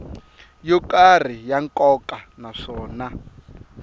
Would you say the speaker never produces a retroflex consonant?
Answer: no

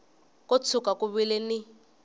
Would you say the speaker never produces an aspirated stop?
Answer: no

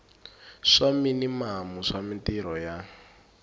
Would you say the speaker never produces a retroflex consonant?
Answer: no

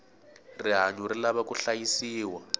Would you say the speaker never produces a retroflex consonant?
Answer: yes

